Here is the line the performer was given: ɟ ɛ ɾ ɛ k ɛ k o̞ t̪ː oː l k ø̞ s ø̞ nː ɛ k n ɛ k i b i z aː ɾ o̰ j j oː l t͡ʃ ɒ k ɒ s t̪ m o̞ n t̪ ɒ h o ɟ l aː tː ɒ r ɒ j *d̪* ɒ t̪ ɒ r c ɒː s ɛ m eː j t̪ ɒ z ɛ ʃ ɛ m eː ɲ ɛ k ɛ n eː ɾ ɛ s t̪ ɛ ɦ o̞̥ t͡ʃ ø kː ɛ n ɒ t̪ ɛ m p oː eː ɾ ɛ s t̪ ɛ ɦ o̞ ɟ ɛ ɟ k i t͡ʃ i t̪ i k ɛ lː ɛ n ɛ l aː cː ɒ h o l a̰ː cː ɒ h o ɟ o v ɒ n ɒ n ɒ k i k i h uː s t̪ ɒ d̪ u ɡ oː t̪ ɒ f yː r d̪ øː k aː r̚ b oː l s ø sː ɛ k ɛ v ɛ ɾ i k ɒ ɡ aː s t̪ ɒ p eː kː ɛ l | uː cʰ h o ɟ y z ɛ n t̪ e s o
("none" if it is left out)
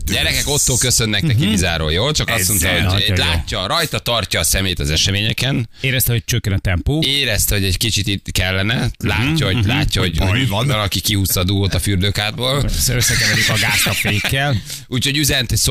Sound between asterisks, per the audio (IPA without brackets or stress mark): t̪